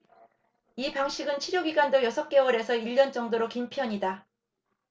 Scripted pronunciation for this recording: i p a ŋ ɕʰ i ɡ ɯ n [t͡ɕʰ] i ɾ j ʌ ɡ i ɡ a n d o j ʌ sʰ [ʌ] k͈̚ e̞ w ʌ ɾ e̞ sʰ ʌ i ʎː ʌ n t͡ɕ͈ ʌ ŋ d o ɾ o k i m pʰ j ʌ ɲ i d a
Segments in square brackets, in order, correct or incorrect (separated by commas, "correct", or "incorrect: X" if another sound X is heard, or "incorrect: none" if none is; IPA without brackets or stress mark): correct, correct